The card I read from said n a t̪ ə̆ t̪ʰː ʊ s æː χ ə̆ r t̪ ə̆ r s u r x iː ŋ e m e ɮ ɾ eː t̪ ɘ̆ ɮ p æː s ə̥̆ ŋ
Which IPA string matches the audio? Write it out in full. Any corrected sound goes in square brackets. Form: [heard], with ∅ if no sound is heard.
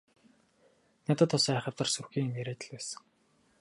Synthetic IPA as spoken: n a t̪ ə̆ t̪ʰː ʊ s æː χ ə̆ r t̪ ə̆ r s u r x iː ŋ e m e [∅] ɾ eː t̪ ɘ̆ ɮ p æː s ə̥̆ ŋ